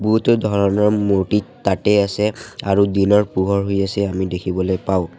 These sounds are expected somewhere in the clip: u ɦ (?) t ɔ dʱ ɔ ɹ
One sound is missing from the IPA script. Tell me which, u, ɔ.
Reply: u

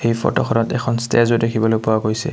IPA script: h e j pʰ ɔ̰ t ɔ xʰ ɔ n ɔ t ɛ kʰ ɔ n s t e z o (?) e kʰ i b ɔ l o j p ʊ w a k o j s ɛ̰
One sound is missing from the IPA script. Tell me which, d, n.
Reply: d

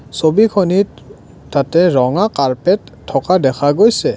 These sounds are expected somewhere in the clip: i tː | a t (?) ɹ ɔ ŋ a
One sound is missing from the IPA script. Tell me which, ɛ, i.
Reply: ɛ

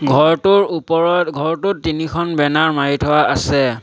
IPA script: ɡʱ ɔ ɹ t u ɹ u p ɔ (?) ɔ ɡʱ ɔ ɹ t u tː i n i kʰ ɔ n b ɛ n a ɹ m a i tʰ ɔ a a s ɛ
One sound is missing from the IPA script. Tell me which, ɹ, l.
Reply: ɹ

